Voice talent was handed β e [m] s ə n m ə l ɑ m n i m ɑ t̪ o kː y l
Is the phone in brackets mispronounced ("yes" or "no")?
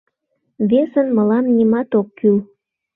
yes